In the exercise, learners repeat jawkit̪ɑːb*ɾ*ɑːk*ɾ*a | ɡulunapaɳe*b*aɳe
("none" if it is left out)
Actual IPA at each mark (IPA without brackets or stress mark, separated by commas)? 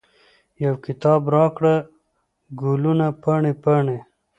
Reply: ɾ, ɽ, p